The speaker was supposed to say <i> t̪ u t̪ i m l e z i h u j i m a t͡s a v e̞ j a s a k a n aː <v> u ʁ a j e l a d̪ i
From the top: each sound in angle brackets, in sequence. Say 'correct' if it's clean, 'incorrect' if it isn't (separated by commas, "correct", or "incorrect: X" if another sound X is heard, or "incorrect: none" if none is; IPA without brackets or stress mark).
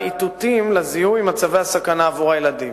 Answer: correct, correct